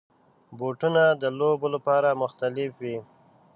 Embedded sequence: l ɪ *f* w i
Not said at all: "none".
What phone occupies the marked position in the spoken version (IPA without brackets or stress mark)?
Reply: f